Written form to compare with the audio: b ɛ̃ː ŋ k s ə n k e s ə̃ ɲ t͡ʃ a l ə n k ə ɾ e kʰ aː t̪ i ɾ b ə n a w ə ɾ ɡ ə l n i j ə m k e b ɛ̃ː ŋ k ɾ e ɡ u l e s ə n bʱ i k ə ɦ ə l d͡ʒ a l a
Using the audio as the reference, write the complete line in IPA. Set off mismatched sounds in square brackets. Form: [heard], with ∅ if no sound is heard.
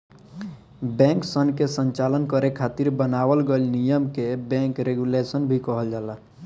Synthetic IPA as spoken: b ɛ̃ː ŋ k s ə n k e s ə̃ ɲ t͡ʃ a l ə n k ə ɾ e kʰ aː t̪ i ɾ b ə n a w ə [l] ɡ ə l n i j ə m k e b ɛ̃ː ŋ k ɾ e ɡ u l e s ə n bʱ i k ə ɦ ə l d͡ʒ a l a